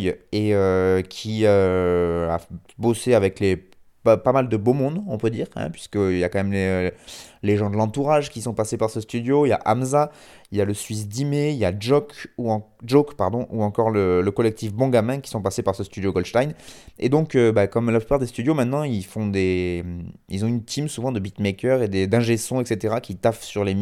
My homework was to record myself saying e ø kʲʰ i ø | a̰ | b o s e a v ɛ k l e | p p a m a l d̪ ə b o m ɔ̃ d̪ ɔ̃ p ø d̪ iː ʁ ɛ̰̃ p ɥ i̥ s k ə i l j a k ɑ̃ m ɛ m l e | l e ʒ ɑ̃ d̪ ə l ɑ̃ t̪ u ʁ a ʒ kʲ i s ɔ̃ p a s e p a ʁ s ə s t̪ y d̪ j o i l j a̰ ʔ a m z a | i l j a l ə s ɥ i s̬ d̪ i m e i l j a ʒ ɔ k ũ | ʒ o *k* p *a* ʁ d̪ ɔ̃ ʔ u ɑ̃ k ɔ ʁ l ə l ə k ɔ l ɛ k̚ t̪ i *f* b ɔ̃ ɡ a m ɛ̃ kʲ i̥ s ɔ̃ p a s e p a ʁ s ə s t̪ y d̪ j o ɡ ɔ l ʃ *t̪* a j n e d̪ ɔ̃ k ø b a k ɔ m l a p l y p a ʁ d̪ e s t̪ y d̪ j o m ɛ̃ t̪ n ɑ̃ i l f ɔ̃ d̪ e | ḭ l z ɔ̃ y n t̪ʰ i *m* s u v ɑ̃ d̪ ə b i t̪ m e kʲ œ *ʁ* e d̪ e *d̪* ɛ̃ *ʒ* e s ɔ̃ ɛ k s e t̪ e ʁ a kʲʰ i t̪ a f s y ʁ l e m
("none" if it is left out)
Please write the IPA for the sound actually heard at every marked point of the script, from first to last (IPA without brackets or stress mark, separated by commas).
k, a, f, t̪, m, ʁ, d̪, ʒ